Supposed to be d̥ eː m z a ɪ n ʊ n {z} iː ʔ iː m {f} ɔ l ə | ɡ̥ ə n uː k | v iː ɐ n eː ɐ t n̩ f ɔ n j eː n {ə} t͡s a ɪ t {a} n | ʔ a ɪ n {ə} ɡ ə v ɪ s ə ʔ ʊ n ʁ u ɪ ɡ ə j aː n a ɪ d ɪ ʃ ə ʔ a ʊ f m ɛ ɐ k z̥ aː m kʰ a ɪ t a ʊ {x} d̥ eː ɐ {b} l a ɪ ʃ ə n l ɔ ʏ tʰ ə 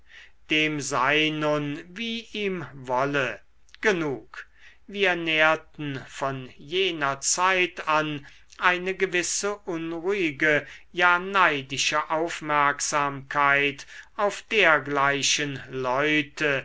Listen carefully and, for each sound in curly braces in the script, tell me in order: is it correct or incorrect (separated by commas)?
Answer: incorrect, incorrect, incorrect, correct, correct, incorrect, incorrect